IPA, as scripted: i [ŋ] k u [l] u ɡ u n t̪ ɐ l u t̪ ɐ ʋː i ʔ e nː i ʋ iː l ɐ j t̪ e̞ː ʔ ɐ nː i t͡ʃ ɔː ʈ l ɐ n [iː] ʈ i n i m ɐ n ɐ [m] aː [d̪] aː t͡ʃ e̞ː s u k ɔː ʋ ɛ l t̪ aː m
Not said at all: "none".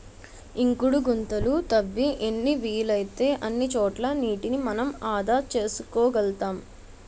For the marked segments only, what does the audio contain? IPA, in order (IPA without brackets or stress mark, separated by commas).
ŋ, ɽ, iː, m, d̪